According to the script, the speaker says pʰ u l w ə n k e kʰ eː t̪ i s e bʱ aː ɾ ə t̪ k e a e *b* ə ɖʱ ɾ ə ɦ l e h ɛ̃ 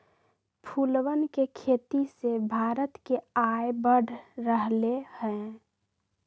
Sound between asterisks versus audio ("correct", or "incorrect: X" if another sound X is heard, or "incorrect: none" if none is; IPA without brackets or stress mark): correct